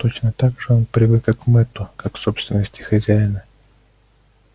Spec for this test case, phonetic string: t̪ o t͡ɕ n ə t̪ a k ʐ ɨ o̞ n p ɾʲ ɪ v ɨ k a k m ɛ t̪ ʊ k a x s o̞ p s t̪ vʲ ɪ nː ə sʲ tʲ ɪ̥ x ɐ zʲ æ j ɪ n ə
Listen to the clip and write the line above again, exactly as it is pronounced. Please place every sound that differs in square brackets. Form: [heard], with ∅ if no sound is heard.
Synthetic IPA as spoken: t̪ o t͡ɕ n ə t̪ a [ɡ] ʐ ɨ o̞ n p ɾʲ ɪ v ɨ k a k m ɛ t̪ ʊ k a [k] s o̞ p s t̪ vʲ ɪ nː ə sʲ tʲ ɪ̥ x ɐ zʲ æ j ɪ n ə